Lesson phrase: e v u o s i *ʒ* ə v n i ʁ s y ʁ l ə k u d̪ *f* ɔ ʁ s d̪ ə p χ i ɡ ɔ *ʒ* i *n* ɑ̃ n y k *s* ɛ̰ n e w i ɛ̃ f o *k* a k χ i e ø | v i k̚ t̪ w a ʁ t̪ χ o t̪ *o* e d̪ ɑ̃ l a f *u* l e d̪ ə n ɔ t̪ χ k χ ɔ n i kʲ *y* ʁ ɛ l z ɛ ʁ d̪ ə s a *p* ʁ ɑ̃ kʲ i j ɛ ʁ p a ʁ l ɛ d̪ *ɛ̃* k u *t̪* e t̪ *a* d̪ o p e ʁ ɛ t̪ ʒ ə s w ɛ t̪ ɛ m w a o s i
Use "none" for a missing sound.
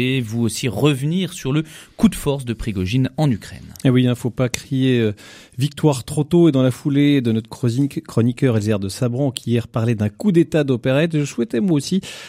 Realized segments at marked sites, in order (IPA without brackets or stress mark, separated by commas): ʁ, f, ʒ, n, χ, p, o, u, œ, b, ɛ̃, d̪, a